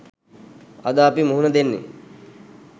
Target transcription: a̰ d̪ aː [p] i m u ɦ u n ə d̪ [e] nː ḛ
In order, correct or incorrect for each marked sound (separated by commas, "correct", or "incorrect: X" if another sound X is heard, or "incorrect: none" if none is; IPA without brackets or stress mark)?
correct, correct